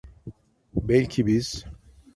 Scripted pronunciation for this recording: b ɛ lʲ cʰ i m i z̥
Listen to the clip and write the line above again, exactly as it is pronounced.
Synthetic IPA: b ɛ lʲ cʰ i b i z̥